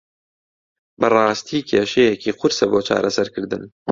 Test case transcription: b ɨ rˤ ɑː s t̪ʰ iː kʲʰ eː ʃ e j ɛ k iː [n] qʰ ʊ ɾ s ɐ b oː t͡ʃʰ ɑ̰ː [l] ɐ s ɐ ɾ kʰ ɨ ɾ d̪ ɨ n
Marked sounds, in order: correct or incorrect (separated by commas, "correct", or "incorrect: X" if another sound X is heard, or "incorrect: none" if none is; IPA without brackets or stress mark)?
incorrect: none, incorrect: ɾ